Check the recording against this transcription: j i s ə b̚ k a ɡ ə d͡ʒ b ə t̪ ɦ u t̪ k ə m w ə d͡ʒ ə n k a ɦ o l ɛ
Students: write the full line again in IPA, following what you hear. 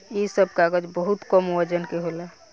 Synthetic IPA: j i s ə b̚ k a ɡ ə d͡ʒ b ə ɦ u t̪ k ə m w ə d͡ʒ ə n k e ɦ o l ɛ

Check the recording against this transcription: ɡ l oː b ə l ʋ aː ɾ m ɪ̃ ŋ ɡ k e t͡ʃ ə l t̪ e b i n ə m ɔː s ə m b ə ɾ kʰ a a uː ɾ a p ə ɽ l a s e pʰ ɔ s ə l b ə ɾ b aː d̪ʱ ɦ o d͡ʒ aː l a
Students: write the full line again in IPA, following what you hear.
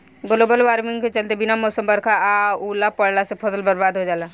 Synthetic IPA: ɡ l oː b ə l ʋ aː ɾ m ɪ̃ ŋ ɡ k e t͡ʃ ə l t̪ e b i n a m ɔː s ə m b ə ɾ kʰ a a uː l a p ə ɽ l a s e pʰ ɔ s ə l b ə ɾ b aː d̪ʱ ɦ o d͡ʒ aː l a

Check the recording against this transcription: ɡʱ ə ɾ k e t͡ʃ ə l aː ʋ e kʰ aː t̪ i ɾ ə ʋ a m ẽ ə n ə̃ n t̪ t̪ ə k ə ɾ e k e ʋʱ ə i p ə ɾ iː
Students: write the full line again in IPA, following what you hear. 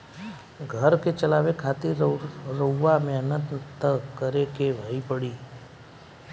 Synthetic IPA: ɡʱ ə ɾ k e t͡ʃ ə l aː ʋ e kʰ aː t̪ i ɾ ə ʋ a m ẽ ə n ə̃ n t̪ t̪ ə k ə ɾ e k e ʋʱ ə i p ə ɽ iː

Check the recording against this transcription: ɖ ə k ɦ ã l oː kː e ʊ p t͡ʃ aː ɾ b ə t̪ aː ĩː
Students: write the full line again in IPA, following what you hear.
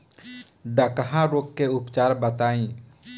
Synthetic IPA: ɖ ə k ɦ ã ɾ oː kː e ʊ p t͡ʃ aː ɾ b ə t̪ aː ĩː

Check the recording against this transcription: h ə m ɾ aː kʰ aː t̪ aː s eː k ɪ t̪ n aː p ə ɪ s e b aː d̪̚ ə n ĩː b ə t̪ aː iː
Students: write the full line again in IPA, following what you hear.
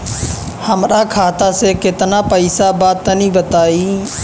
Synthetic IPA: h ə m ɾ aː kʰ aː t̪ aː s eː k ɪ t̪ n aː p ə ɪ s a b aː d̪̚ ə n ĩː b ə t̪ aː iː

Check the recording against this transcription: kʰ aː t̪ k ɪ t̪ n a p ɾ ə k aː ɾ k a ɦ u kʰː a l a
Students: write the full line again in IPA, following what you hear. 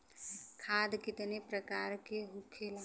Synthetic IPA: kʰ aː d̪ k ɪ t̪ n e p ɾ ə k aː ɾ k e ɦ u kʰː e l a

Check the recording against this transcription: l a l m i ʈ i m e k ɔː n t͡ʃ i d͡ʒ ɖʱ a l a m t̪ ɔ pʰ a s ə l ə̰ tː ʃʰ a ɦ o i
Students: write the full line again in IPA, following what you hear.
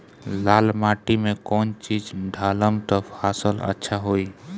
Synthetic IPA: l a l m a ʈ i m e k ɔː n t͡ʃ i d͡ʒ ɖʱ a l ə m t̪ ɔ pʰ a s ə l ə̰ tː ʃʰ a ɦ o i

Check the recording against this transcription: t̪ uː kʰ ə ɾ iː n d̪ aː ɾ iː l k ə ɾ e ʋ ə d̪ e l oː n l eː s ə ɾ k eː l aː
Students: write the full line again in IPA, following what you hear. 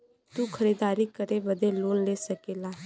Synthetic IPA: t̪ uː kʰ ə ɾ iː d̪ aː ɾ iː k ə ɾ e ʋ ə d̪ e l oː n l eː s ə k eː l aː

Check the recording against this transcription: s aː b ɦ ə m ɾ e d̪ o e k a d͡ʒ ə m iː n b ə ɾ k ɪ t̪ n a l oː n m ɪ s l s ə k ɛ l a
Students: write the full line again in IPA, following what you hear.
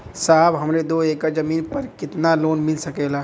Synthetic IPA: s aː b ɦ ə m ɾ e d̪ o e k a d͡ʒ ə m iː n p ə ɾ k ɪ t̪ n a l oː n m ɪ l s ə k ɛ l a

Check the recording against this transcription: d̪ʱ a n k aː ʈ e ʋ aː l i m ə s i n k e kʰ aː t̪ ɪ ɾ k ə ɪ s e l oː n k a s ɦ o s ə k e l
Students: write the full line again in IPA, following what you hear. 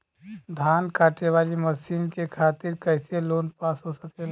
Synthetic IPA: d̪ʱ a n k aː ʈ e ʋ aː l i m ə s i n k e kʰ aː t̪ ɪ ɾ k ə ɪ s e l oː n p a s ɦ o s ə k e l

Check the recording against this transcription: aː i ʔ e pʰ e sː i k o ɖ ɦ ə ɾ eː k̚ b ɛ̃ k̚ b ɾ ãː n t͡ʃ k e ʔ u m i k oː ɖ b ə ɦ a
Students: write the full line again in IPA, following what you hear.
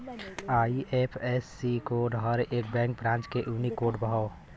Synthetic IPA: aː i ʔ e pʰ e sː i k o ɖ ɦ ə ɾ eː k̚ b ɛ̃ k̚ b ɾ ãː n t͡ʃ k e ʔ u n i k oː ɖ b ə ɦ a

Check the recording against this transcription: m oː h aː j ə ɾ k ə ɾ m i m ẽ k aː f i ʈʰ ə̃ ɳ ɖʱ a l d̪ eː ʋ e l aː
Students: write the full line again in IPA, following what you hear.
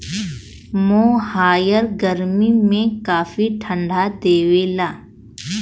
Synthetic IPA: m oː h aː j ə ɾ ɡ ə ɾ m i m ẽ k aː f i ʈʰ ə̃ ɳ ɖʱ a d̪ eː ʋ e l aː

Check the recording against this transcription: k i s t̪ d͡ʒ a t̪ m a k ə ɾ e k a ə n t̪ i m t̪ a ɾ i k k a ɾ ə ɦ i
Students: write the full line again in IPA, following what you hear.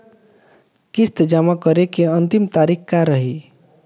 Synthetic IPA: k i s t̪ d͡ʒ a m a k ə ɾ e k e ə n t̪ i m t̪ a ɾ i k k a ɾ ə ɦ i

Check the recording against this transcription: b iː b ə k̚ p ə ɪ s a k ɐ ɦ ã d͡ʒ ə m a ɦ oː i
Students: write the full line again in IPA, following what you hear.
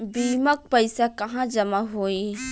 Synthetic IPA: b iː m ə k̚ p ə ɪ s a k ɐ ɦ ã d͡ʒ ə m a ɦ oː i

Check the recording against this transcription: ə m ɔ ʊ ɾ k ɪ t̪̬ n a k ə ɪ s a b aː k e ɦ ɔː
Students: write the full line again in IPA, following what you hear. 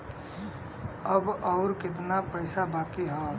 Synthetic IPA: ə b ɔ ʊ ɾ k ɪ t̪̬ n a p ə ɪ s a b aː k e ɦ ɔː

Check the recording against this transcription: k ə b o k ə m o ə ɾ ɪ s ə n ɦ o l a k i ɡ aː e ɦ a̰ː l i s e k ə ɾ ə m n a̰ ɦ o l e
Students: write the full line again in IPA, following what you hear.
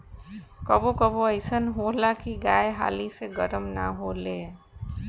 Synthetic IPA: k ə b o k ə b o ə ɪ s ə n ɦ o l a k i ɡ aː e ɦ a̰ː l i s e ɡ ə ɾ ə m n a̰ ɦ o l e

